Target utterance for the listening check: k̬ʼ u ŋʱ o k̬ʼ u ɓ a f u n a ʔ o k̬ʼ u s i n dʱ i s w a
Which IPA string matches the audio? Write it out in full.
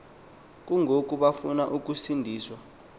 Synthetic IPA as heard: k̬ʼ u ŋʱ o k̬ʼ u ɓ a f u n a ʔ u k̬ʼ u s i n dʱ iː s w a